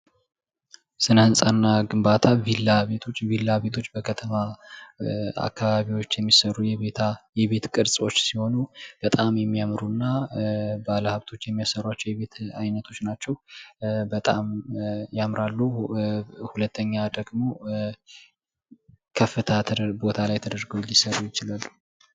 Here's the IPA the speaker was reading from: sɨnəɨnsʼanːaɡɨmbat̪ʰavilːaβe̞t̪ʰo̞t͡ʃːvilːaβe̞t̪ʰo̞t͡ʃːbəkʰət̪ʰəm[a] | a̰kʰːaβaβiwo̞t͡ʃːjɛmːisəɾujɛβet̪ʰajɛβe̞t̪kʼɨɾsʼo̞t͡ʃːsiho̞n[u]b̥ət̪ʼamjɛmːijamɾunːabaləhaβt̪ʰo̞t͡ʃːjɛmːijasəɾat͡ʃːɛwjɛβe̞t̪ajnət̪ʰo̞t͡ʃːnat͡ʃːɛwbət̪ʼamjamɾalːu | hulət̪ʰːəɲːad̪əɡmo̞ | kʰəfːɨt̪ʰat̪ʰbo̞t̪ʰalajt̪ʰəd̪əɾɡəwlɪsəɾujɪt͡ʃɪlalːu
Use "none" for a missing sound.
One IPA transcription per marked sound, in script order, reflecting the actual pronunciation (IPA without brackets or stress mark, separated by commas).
a, u